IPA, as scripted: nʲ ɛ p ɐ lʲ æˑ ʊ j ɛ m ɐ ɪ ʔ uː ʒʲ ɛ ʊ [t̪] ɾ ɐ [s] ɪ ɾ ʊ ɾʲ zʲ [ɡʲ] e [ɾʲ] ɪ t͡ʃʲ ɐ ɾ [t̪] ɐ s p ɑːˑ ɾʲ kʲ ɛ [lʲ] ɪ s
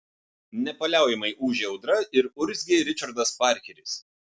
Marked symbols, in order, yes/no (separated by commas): no, no, yes, yes, no, no